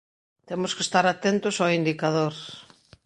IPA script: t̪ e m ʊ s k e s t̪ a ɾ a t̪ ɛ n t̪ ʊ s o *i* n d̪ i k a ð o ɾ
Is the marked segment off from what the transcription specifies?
no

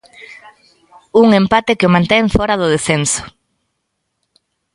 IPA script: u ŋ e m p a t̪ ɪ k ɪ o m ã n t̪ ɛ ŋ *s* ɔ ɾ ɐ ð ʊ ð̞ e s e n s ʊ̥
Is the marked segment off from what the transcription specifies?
yes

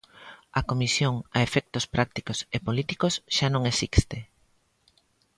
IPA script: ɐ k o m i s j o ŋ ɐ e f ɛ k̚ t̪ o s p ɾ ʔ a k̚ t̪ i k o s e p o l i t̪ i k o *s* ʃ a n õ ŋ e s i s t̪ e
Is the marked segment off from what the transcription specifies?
no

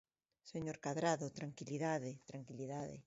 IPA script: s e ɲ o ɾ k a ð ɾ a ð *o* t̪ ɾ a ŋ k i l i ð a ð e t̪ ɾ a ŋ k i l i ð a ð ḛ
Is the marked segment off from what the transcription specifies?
no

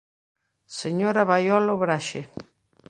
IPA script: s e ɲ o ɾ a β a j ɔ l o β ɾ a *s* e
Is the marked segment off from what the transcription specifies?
yes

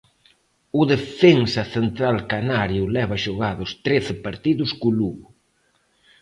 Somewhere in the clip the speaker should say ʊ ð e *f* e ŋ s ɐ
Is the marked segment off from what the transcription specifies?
no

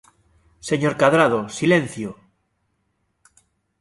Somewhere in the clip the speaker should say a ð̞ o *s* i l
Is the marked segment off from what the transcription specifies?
no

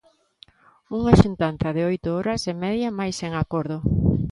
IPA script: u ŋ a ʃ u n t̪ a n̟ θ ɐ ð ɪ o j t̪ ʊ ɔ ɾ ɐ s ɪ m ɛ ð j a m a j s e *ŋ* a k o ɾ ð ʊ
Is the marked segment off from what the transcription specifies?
no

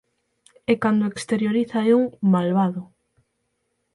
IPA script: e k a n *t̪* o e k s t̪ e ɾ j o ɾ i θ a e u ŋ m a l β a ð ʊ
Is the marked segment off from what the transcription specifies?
yes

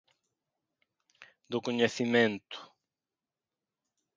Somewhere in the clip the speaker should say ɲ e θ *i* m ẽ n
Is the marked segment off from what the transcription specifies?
no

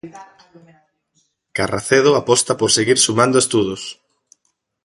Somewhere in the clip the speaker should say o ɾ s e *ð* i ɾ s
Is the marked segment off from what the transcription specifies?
yes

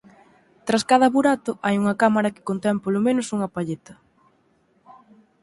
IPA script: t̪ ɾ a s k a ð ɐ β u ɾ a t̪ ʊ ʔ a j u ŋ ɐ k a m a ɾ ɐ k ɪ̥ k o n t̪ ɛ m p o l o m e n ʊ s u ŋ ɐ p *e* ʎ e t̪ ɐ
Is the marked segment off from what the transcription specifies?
yes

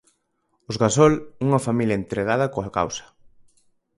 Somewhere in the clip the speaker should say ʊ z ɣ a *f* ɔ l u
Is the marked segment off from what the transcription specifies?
yes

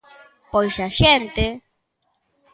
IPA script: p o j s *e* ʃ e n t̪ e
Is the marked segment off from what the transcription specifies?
yes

